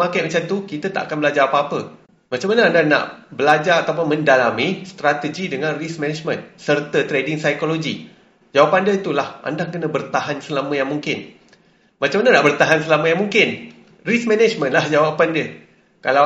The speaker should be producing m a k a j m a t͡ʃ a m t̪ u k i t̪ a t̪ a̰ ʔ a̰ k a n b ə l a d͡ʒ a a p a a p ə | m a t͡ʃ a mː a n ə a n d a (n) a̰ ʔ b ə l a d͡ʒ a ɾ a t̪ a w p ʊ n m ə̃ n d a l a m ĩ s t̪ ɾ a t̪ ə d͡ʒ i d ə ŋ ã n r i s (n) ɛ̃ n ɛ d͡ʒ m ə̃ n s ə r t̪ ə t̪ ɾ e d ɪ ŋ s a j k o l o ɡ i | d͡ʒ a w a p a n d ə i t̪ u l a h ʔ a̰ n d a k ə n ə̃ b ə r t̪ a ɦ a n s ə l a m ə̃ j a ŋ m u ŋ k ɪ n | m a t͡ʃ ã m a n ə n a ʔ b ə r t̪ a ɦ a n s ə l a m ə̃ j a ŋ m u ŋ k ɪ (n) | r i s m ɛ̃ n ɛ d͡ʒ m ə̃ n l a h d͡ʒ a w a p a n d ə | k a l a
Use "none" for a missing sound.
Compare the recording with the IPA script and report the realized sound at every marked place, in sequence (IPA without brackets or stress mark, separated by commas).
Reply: n, m, n